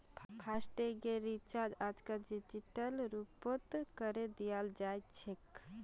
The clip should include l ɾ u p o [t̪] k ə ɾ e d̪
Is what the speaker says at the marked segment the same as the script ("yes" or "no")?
yes